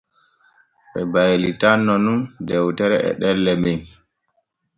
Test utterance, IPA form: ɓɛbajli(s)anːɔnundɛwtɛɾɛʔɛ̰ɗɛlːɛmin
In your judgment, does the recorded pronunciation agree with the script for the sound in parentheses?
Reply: no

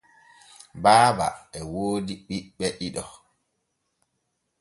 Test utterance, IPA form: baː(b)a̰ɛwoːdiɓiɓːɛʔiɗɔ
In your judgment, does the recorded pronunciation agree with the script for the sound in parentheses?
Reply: yes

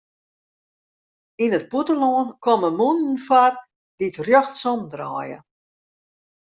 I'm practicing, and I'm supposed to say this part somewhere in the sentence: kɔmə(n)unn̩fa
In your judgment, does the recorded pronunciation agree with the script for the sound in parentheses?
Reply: no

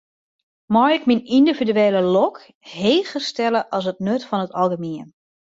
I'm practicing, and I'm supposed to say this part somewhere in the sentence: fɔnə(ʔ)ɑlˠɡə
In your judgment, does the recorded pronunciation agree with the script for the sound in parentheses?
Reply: no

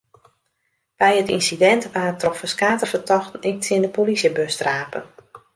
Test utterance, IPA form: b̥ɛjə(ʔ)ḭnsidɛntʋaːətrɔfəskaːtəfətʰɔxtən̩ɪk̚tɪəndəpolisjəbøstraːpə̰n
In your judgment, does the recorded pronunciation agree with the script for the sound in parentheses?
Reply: no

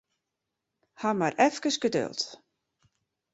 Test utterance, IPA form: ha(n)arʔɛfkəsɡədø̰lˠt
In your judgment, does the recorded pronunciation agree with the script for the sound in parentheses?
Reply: no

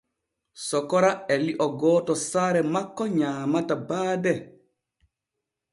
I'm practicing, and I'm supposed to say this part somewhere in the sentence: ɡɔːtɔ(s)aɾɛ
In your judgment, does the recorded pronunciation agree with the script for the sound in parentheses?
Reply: yes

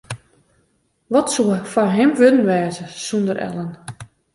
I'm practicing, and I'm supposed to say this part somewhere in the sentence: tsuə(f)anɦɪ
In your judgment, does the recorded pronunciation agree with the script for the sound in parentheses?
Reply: yes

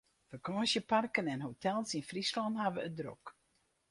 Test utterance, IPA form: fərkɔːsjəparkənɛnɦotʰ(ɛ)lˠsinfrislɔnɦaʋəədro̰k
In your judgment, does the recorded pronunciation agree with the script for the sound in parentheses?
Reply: yes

